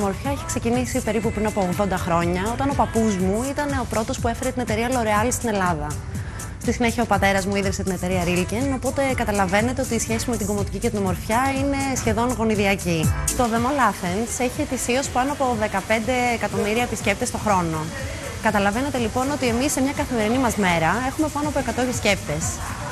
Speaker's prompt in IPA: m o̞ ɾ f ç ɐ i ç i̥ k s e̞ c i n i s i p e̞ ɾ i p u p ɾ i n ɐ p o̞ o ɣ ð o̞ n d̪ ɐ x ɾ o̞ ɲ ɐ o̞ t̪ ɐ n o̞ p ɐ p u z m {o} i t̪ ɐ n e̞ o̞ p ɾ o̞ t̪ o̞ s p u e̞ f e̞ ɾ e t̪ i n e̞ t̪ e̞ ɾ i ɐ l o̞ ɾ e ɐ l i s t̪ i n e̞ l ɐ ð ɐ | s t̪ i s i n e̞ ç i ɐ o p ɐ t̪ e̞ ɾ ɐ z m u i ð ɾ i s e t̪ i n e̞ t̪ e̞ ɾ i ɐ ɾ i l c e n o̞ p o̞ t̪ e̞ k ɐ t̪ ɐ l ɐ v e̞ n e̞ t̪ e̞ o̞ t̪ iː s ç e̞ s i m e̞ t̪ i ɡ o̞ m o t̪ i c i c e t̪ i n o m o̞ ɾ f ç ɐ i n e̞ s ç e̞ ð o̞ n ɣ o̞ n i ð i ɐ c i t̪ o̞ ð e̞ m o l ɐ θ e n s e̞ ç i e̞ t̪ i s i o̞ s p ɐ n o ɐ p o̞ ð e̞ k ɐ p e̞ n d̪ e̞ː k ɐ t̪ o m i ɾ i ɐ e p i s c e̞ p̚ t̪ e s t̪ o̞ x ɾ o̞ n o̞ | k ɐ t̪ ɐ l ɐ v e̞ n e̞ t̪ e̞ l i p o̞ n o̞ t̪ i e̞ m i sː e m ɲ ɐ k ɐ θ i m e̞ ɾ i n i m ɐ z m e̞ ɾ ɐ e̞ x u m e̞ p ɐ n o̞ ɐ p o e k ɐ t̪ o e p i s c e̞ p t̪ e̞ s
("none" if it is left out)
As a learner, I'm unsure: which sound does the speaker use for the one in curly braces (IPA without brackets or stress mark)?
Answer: u